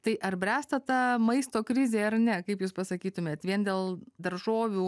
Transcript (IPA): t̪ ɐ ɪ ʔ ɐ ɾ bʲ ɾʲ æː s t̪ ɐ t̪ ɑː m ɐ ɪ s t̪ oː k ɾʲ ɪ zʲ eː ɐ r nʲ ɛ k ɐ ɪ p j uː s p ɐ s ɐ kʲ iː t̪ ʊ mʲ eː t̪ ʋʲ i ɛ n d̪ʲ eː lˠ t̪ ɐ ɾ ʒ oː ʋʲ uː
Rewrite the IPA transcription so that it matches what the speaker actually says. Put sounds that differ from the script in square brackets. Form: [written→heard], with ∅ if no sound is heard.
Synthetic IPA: t̪ ɐ ɪ ʔ ɐ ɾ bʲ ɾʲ æː s t̪ ɐ t̪ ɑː m ɐ ɪ s t̪ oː k ɾʲ ɪ zʲ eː ɐ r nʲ ɛ k ɐ ɪ p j uː s p ɐ s ɐ kʲ iː t̪ ʊ mʲ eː t̪ ʋʲ i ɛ n d̪ʲ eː lˠ [t̪→d̪] ɐ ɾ ʒ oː ʋʲ uː

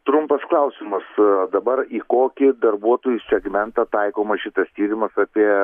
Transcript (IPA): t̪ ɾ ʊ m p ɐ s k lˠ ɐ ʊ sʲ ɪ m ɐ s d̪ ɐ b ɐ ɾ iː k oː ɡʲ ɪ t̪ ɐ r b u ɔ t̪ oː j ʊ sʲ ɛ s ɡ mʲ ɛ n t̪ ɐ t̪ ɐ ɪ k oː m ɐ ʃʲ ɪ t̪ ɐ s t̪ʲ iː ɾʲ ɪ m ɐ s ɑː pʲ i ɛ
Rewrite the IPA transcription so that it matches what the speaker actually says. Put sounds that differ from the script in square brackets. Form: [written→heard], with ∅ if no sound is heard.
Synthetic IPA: t̪ ɾ ʊ m p ɐ s k lˠ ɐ ʊ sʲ ɪ m ɐ s d̪ ɐ b ɐ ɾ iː k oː [ɡʲ→kʲ] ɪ [t̪→d̪] ɐ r b u ɔ t̪ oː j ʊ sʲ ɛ [s→∅] ɡ mʲ ɛ n t̪ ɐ t̪ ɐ ɪ k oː m ɐ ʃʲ ɪ t̪ ɐ s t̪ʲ iː ɾʲ ɪ m ɐ s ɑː pʲ i ɛ

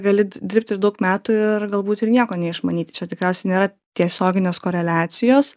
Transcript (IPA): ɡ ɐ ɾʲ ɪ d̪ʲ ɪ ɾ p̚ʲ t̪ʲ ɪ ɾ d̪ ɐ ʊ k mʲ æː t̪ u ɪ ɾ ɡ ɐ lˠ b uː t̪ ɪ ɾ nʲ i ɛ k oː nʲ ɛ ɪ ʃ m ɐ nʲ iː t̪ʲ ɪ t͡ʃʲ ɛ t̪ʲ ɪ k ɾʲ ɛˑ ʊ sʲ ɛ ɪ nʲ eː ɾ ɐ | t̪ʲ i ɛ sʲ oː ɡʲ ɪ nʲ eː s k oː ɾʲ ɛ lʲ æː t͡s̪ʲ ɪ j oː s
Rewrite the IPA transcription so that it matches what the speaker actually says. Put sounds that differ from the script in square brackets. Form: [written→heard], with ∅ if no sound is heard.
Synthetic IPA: ɡ ɐ [ɾʲ→lʲ] ɪ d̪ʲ ɪ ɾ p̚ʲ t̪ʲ ɪ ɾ d̪ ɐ ʊ k mʲ æː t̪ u ɪ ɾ ɡ ɐ lˠ b uː t̪ ɪ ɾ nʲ i ɛ k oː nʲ ɛ ɪ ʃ m ɐ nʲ iː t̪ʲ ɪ t͡ʃʲ ɛ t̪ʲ ɪ k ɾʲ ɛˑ ʊ sʲ ɛ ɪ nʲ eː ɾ ɐ | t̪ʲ i ɛ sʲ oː ɡʲ ɪ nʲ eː s k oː ɾʲ ɛ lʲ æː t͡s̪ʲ ɪ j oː s

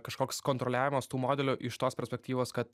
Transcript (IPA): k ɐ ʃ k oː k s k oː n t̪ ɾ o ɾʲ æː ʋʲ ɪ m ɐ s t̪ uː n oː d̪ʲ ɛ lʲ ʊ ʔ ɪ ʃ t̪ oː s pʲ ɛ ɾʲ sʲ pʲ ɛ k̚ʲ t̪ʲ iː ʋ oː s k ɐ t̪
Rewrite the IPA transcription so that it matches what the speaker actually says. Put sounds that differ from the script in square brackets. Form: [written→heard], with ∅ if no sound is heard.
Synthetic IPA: k ɐ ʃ k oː k s k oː n t̪ ɾ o [ɾʲ→lʲ] æː ʋʲ ɪ m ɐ s t̪ uː [n→m] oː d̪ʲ ɛ lʲ ʊ ʔ ɪ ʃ t̪ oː s pʲ ɛ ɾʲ sʲ pʲ ɛ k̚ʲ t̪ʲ iː ʋ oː s k ɐ t̪

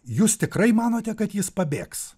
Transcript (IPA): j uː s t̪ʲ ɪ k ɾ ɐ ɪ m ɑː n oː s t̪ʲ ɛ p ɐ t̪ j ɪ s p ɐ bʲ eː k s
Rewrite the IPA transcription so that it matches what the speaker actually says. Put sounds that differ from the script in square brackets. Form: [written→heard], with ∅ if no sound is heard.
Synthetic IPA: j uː s t̪ʲ ɪ k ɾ ɐ ɪ m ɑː n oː [s→∅] t̪ʲ ɛ [p→k] ɐ t̪ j ɪ s p ɐ bʲ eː k s

